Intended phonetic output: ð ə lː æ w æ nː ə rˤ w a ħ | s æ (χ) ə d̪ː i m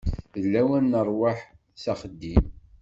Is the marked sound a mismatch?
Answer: no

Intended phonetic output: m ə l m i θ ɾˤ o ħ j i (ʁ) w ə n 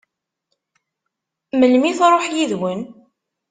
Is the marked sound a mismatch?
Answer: yes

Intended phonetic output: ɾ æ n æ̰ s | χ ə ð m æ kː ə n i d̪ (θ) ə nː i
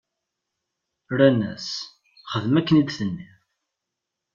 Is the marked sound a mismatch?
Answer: no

